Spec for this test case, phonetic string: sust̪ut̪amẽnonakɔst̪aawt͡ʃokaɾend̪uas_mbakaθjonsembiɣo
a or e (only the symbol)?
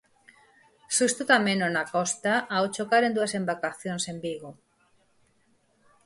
e